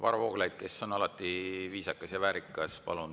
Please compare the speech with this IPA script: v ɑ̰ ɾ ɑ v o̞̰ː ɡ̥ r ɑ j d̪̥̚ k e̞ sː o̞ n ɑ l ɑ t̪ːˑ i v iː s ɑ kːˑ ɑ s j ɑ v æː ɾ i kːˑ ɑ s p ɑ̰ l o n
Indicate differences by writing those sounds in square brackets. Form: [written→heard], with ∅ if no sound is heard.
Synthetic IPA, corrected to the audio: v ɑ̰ ɾ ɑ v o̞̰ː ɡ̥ [r→l] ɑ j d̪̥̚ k e̞ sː o̞ n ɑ l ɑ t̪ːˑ i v iː s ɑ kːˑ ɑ s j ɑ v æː ɾ i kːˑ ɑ s p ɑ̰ l [o→u] n

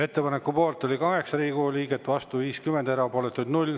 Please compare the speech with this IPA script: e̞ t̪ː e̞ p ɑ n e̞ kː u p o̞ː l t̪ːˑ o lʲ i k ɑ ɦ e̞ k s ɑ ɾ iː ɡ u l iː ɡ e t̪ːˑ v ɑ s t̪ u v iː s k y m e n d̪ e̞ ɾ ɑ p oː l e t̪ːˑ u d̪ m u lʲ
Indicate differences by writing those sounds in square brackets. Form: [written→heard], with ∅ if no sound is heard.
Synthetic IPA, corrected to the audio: e̞ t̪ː e̞ p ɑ n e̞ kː u p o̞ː l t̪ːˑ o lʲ i k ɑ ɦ e̞ k s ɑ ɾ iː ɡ u l iː ɡ e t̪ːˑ v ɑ s t̪ u v iː s k y m e n d̪ e̞ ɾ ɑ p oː l e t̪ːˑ u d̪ [m→n] u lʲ

